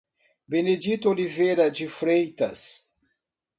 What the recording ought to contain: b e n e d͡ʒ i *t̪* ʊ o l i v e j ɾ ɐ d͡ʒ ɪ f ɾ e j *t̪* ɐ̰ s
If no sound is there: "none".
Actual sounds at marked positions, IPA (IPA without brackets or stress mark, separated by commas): t̪, t̪